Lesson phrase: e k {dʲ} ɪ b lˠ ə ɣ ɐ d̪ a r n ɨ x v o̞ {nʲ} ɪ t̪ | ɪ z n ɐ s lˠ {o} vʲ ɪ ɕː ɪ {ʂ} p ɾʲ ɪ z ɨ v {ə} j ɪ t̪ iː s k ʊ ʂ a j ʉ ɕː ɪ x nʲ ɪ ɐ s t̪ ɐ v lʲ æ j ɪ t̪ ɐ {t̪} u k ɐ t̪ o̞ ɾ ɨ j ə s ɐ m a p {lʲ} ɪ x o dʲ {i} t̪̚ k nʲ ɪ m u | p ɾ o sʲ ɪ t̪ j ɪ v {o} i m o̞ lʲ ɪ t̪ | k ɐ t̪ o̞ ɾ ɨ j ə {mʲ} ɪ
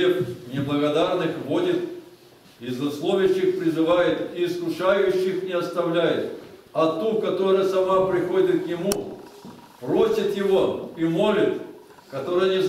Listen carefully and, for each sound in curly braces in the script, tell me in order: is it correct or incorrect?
incorrect: nʲ, incorrect: dʲ, correct, incorrect: x, incorrect: a, correct, incorrect: ɾʲ, incorrect: ɪ, correct, incorrect: nʲ

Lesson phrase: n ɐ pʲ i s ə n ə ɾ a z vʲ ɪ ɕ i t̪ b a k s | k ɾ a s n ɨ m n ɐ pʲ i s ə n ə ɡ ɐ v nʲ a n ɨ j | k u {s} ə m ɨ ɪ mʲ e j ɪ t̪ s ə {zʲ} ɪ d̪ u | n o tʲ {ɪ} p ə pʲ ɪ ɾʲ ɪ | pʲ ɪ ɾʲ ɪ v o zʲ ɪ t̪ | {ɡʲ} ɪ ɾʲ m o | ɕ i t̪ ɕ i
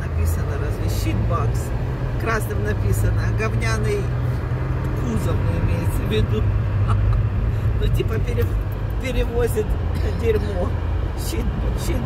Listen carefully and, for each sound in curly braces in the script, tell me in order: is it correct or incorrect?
incorrect: z, incorrect: vʲ, incorrect: i, incorrect: dʲ

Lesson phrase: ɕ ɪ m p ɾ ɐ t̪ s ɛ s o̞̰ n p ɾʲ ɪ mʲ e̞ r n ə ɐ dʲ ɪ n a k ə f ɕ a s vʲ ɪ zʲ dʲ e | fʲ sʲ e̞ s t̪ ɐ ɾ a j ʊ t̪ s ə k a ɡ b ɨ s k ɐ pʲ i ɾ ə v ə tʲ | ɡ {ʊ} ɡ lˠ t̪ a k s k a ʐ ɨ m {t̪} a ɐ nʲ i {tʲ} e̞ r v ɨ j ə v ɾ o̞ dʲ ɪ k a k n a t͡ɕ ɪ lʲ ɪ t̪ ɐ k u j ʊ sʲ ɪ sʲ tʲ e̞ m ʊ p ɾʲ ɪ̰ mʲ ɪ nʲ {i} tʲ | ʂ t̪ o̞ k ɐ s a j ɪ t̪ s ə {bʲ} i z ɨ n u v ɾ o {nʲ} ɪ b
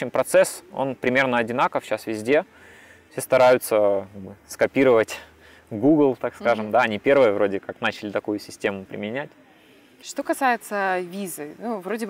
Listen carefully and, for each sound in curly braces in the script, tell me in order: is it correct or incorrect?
incorrect: u, incorrect: d̪, incorrect: pʲ, incorrect: æ, incorrect: vʲ, incorrect: dʲ

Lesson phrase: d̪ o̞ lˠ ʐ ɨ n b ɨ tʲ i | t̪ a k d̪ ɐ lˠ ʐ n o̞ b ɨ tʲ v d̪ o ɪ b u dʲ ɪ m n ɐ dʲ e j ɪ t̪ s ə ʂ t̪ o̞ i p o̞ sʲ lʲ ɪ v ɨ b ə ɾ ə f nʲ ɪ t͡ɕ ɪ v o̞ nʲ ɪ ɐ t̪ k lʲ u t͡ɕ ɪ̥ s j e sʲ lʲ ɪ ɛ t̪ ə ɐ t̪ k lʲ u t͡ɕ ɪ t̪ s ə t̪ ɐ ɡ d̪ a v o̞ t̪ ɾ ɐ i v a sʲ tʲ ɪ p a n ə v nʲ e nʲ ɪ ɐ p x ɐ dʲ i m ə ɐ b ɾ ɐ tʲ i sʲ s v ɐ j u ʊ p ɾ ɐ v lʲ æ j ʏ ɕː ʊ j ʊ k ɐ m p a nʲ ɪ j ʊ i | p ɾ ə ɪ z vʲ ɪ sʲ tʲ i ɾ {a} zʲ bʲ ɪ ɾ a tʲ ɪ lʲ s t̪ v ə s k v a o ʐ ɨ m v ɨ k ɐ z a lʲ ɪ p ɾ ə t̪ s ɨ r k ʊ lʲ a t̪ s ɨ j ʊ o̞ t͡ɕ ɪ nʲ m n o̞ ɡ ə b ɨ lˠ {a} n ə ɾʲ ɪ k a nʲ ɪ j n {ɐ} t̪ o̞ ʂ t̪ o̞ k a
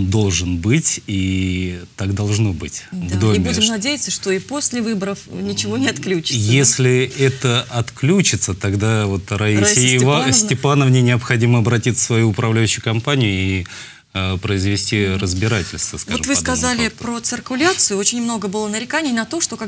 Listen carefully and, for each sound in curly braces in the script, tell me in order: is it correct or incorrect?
incorrect: ə, incorrect: ə, correct

